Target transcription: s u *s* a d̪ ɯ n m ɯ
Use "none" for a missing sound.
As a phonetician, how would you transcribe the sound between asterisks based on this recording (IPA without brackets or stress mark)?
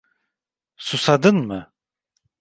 s